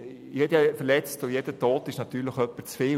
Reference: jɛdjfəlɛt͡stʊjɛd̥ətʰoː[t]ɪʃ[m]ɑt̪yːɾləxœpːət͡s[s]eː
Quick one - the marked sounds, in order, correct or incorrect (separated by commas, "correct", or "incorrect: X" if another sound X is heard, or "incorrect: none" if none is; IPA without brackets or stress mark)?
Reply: correct, incorrect: n, incorrect: f